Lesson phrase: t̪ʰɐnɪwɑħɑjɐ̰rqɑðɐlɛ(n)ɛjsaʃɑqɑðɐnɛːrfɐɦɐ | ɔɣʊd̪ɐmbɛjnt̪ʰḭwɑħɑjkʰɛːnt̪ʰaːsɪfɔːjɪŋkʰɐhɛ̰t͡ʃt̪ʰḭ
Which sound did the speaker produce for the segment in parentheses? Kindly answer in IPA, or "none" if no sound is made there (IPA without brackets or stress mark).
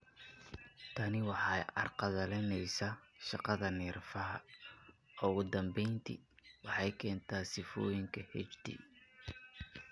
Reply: n